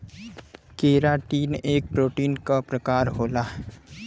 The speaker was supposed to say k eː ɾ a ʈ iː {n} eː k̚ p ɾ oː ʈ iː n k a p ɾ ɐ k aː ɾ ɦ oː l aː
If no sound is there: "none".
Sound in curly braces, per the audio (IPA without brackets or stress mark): n